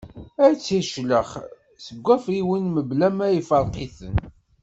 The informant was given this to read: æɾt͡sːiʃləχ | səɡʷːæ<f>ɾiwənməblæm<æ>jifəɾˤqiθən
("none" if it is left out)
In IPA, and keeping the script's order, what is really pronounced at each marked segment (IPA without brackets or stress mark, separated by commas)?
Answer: f, æ